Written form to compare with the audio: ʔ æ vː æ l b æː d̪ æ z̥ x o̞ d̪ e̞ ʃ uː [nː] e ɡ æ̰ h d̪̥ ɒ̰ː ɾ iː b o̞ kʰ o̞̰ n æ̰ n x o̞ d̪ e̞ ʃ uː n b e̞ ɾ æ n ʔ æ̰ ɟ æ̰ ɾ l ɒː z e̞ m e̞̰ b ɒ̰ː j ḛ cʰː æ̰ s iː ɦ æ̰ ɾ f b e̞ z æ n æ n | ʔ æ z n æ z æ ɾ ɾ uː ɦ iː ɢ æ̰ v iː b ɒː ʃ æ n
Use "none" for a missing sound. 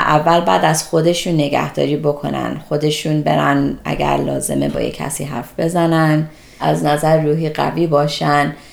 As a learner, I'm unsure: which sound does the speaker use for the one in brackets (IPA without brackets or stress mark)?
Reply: nː